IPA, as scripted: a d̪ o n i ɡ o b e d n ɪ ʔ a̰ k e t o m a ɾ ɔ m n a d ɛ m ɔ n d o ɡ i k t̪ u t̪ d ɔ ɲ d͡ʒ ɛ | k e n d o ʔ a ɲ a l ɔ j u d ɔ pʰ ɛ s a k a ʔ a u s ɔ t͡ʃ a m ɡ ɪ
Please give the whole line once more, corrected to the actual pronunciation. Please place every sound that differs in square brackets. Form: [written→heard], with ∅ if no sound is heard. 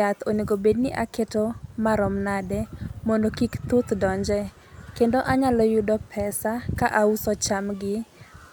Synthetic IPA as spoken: a [d̪→t̪] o n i ɡ o b e d n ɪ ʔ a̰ k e t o m a ɾ ɔ m n a d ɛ m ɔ n d o [ɡ→k] i k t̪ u t̪ d ɔ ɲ d͡ʒ ɛ | k e n d o ʔ a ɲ a l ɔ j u d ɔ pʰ ɛ s a k a ʔ a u s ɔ t͡ʃ a m ɡ ɪ